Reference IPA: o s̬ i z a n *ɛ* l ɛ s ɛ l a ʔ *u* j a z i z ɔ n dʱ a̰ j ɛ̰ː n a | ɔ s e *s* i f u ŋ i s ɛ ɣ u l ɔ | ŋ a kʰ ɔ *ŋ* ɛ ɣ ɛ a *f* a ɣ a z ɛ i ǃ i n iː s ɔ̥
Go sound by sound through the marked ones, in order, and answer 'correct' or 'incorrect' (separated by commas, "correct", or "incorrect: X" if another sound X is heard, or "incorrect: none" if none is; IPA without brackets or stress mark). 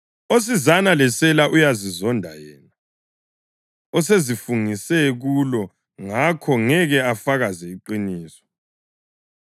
incorrect: a, correct, incorrect: z, correct, correct